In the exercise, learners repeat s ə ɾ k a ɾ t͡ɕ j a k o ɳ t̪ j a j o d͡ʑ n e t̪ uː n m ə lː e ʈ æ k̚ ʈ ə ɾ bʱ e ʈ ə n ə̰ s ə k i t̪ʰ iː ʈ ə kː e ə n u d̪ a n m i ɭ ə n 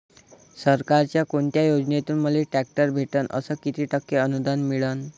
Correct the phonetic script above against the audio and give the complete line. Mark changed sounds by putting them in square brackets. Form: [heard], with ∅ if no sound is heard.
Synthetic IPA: s ə ɾ k a ɾ t͡ɕ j a k o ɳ t̪ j a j o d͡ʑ n e t̪ uː n m ə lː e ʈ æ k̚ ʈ ə ɾ bʱ e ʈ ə n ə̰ s ə k i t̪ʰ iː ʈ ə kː e ə n u d̪ a n m i ɭ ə n